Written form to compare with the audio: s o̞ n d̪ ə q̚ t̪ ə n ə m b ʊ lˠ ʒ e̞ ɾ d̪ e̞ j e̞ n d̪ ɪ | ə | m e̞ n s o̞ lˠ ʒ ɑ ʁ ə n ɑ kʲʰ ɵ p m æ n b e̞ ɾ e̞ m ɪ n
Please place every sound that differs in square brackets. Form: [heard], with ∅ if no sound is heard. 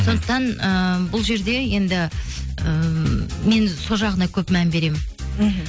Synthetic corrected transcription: s o̞ n d̪ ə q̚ t̪ [ɑ] n ə [∅] b ʊ lˠ ʒ e̞ ɾ d̪ e̞ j e̞ n d̪ ɪ | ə | m e̞ n s o̞ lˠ ʒ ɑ ʁ ə n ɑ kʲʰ ɵ p m æ n b e̞ ɾ e̞ m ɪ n